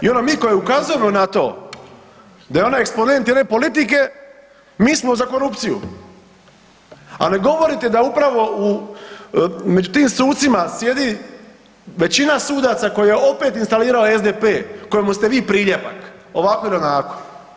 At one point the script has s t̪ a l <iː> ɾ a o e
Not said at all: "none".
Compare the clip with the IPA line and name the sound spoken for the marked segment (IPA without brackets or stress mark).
iː